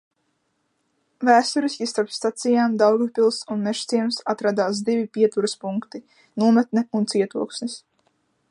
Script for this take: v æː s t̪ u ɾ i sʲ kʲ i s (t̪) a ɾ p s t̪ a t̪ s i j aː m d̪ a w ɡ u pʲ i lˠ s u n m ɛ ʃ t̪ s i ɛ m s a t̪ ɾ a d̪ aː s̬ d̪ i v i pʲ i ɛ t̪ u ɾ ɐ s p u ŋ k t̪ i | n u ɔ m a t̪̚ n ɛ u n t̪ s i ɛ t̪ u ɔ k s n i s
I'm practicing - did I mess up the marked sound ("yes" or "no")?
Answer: no